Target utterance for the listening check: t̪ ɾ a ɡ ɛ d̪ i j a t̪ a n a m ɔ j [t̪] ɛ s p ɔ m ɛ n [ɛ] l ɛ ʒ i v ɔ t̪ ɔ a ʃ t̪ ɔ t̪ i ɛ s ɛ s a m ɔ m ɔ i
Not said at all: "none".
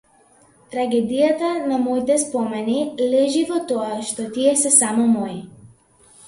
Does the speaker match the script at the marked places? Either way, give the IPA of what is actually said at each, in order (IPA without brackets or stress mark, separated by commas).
t̪, i